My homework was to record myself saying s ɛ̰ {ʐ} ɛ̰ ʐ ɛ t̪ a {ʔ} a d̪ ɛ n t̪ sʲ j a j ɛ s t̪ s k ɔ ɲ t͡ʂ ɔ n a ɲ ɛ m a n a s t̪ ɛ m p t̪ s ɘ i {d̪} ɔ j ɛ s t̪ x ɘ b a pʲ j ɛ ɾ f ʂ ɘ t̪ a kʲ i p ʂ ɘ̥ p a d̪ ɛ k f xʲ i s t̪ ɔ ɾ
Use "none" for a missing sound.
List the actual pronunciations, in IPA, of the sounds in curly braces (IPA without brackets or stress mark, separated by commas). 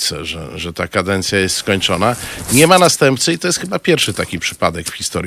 ʐ, k, t̪